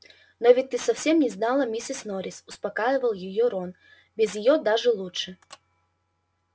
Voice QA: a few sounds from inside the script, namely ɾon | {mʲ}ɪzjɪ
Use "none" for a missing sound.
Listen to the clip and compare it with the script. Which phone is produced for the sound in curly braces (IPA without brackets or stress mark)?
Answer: bʲ